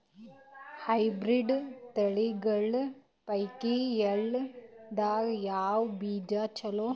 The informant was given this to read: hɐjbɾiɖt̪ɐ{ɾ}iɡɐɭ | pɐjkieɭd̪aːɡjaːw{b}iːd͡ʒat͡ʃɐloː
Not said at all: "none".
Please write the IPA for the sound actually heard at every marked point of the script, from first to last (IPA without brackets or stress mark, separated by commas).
ɭ, b